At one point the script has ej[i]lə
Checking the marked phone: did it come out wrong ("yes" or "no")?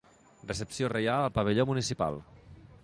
yes